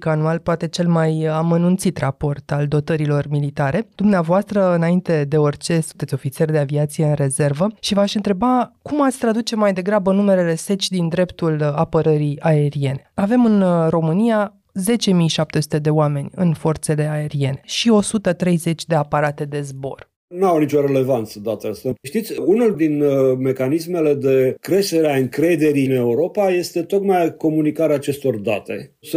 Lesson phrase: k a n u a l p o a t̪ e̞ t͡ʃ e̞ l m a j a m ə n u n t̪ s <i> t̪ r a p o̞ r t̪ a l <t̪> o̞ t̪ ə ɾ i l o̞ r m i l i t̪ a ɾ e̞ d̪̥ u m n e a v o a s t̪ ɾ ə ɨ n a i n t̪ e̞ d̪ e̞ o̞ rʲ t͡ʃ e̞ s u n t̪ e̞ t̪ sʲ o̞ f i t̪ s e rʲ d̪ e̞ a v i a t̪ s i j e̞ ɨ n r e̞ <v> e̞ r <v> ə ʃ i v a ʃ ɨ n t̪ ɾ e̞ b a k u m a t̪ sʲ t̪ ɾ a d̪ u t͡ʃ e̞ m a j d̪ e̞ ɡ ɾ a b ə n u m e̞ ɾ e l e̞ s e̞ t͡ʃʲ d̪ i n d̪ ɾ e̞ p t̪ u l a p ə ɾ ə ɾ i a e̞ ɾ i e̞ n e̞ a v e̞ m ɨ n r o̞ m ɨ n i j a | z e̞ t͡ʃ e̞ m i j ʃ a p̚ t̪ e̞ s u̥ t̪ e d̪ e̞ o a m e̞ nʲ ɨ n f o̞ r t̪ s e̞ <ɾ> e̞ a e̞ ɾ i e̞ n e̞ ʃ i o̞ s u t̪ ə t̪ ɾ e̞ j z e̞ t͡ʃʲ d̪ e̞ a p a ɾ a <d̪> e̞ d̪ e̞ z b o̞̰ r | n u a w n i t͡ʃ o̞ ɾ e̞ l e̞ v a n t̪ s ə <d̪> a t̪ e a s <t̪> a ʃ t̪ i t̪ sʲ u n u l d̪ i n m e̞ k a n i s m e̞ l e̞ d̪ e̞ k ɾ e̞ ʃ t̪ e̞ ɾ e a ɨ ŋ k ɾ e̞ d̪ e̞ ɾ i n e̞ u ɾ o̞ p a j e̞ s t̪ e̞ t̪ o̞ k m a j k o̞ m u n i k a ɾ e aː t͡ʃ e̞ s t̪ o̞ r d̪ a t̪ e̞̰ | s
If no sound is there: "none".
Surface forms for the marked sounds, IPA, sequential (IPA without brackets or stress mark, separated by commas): i, d̪, z, v, l, t̪, d̪, t̪